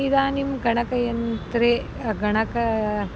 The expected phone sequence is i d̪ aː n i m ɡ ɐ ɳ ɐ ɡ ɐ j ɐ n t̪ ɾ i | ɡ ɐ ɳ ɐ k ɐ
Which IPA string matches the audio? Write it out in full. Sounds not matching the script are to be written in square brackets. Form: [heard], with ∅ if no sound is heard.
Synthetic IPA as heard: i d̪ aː n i m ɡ ɐ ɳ ɐ [k] ɐ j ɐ n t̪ ɾ [e] | ɡ ɐ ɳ ɐ k ɐ